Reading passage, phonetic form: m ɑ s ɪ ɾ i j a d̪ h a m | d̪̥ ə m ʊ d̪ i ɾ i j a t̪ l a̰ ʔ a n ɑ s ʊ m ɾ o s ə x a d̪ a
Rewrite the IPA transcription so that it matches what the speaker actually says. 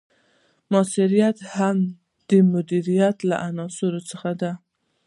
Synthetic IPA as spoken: m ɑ s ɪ ɾ i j a t̪ h a m | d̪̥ ə m ʊ d̪ i ɾ i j a t̪ l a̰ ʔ a n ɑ s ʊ ɾ o t͡s ə x a d̪ a

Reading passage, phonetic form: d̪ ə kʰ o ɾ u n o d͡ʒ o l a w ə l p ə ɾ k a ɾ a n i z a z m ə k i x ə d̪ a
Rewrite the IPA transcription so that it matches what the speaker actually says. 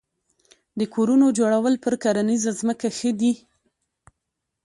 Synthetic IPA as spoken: d̪ ə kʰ o ɾ u n o d͡ʒ o ɽ a w ə l p ə ɾ k a ɾ a n i z a z m ə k a x ə d̪ i

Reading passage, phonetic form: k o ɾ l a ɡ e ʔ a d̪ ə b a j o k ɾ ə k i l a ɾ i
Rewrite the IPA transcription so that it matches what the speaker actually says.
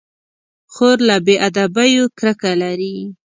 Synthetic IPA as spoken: x o ɾ l a b e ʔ a d̪ a b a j o k ɾ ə k a l a ɾ i

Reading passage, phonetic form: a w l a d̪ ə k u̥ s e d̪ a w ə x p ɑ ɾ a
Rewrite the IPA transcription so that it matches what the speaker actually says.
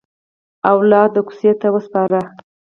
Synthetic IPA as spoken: a w l ɑ d̪ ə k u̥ s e t̪ a w ə s p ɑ ɾ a

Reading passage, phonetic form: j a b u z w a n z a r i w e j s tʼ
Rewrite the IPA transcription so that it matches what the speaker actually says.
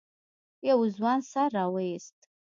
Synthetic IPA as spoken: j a w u z w a n s a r a w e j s tʼ

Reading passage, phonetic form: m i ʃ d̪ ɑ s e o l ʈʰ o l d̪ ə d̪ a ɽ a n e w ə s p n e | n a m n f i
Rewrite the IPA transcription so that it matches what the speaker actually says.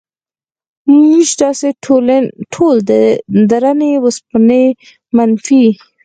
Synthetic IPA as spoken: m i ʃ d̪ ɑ s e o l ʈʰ o l d̪ ə d̪ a ɾ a n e w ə s p n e | m a n f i

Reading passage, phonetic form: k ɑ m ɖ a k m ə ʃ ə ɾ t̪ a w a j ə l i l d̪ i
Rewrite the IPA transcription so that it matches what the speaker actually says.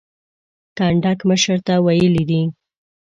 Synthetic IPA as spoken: k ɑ ɳ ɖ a k m ə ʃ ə ɾ t̪ a w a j ə l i d̪ i

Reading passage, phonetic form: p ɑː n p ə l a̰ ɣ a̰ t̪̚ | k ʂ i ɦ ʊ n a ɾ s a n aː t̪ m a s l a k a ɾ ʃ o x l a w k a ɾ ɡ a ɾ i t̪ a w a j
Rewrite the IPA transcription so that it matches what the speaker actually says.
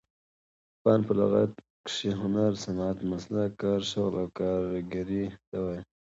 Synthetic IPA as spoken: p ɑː n p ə l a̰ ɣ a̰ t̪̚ | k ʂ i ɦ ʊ n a ɾ s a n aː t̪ m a s l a k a ɾ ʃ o ɣ l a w k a ɾ ɡ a ɾ i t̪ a w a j

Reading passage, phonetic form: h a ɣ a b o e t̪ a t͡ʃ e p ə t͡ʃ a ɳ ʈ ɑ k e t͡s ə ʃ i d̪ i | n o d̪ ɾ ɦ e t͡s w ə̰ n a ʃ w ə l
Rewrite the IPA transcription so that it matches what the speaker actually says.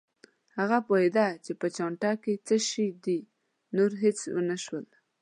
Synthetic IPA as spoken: h a ɣ a p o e d̪ a t͡ʃ e p ə t͡ʃ ɑ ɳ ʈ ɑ k e t͡s ə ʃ i d̪ i | n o ɾ ɦ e t͡s w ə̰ n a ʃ w ə l

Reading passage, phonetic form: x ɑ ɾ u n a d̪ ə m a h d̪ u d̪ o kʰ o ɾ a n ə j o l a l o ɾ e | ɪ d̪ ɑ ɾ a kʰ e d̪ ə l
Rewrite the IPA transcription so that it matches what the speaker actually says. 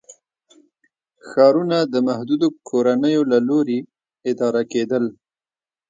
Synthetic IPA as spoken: x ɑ ɾ u n a d̪ ə m a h d̪ u d̪ o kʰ o ɾ a n ə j o l a l o ɾ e | ɪ d̪ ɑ ɾ a k e d̪ ə l

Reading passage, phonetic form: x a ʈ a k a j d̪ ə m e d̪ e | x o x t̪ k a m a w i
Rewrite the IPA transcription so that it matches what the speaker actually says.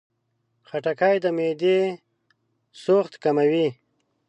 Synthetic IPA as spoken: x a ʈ a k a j d̪ ə m e d̪ e | s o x t̪ k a m a w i

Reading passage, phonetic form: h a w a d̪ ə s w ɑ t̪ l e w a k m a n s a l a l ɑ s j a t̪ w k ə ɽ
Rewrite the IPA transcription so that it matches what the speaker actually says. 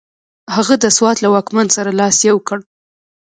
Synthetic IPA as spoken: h a ɣ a d̪ ə s w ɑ t̪ l a w ɑ k m a n s a ɾ a l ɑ s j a w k ə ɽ

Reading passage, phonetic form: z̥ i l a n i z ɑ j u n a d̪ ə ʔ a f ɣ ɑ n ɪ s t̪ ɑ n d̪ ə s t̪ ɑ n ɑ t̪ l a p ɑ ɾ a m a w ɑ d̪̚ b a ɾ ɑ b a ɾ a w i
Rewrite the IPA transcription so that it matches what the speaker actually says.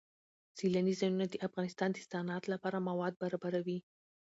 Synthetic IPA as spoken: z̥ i l a n i z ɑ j u n a d̪ ə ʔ a f ɣ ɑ n ɪ s t̪ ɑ n d̪ ə s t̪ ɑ n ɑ t̪ l a p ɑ ɾ a m a w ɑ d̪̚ b a ɾ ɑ b a ɾ a w i

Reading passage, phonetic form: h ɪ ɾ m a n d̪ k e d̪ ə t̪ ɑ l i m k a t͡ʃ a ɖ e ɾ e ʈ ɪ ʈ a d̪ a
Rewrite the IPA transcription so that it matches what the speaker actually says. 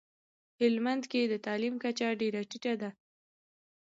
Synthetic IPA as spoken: h ɪ l m a n d̪ k e d̪ ə t̪ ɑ l i m k a t͡ʃ a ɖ e ɾ a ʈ i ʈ a d̪ a

